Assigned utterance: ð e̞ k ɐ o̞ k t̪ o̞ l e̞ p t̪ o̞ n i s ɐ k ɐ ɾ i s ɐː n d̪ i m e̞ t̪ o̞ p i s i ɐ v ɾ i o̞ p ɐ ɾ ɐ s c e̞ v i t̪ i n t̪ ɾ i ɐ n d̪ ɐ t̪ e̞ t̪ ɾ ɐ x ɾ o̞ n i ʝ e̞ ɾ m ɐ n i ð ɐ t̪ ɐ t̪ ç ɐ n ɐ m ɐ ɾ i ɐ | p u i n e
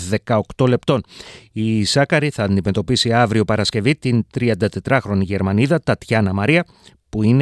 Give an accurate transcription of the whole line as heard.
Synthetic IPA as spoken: ð e̞ k ɐ o̞ k t̪ o̞ l e̞ p t̪ o̞ n i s ɐ k ɐ ɾ i θ ɐː n d̪ i m e̞ t̪ o̞ p i s i ɐ v ɾ i o̞ p ɐ ɾ ɐ s c e̞ v i t̪ i n t̪ ɾ i ɐ n d̪ ɐ t̪ e̞ t̪ ɾ ɐ x ɾ o̞ n i ʝ e̞ ɾ m ɐ n i ð ɐ t̪ ɐ t̪ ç ɐ n ɐ m ɐ ɾ i ɐ | p u i n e